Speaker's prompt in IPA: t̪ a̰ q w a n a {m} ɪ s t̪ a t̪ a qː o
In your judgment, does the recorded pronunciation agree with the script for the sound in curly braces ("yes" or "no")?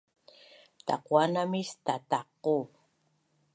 yes